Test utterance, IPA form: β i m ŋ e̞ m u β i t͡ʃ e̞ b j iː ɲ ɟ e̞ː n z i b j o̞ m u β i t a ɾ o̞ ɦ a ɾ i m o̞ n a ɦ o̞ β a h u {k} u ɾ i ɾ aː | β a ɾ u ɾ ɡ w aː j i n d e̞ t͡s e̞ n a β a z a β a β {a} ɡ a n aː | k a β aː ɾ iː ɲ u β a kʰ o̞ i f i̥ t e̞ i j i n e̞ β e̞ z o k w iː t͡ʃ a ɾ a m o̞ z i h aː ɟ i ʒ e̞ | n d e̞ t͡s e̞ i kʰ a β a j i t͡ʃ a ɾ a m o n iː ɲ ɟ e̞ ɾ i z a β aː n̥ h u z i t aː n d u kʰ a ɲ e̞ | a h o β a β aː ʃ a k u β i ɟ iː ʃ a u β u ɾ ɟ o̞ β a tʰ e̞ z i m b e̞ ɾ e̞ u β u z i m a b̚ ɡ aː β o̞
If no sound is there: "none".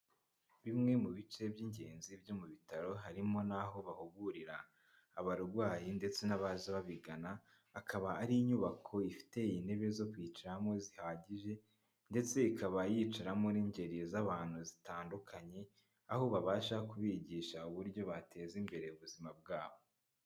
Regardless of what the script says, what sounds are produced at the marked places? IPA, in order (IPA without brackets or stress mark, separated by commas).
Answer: ɡ, i